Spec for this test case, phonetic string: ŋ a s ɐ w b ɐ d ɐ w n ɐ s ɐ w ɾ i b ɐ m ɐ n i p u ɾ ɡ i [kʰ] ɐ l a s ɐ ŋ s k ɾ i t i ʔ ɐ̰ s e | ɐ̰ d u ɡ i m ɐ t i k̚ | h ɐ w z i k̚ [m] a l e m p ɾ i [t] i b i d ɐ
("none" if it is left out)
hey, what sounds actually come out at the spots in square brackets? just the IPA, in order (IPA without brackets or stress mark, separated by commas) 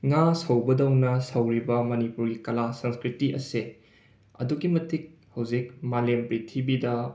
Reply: k, m, tʰ